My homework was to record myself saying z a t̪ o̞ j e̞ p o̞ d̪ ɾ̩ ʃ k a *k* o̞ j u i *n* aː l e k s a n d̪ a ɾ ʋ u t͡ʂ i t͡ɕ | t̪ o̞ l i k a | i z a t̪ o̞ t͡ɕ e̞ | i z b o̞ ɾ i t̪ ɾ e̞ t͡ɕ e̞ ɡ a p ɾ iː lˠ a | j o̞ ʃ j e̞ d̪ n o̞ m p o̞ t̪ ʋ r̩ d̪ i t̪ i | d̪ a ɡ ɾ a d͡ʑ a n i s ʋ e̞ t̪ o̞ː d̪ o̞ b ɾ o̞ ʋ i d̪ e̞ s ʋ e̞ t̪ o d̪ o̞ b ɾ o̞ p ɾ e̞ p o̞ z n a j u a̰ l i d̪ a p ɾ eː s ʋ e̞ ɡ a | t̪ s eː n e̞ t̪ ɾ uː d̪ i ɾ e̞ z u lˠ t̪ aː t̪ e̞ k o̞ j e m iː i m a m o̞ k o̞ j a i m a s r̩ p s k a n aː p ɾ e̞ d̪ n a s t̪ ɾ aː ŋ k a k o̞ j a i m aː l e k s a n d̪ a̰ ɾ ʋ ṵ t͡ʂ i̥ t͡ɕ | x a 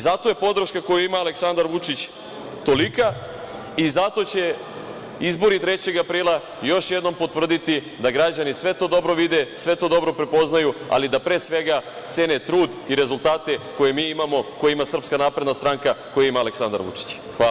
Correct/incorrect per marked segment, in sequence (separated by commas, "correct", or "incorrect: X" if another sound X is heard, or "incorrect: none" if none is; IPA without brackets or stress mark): correct, incorrect: m